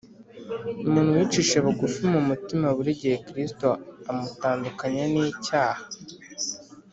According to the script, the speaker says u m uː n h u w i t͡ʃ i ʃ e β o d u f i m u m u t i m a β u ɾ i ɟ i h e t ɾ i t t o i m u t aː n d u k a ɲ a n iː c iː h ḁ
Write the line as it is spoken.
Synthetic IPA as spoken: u m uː n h u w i t͡ʃ i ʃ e β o ɡ u f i m u m u t i m a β u ɾ i ɟ i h e k ɾ i s t o a m u t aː n d u k a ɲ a n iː c aː h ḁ